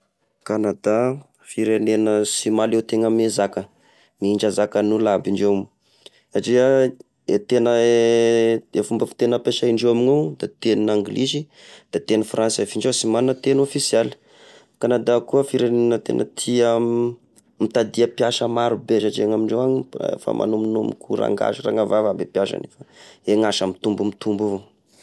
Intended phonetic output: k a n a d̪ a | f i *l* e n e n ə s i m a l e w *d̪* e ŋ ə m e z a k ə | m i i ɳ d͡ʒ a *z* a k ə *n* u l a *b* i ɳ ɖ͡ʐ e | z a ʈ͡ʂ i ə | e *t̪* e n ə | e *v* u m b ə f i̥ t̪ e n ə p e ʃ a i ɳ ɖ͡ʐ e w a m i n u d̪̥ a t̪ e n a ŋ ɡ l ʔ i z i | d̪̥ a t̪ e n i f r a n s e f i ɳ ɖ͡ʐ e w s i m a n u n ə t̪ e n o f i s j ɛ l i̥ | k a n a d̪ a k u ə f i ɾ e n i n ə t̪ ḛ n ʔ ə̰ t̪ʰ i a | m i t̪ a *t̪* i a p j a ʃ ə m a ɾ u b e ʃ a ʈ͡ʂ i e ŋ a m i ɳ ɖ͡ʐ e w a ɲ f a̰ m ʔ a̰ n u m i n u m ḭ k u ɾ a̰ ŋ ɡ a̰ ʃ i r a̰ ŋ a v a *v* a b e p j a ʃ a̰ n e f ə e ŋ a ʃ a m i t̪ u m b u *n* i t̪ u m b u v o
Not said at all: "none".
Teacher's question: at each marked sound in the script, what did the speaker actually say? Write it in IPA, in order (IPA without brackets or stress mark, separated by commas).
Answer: ɾ, t̪, z, n, b, t̪, f, d̪, v, m